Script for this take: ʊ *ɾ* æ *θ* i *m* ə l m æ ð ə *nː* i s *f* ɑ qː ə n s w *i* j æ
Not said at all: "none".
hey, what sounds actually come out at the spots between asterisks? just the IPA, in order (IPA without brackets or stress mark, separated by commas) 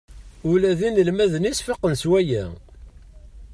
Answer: l, ð, n, n, f, æ